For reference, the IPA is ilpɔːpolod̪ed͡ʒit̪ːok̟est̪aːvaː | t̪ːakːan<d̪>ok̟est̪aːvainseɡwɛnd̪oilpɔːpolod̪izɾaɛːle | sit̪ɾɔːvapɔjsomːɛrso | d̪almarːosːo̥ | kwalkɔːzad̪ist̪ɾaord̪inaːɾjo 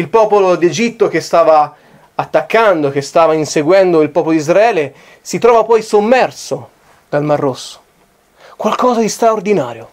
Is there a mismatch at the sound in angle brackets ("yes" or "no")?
no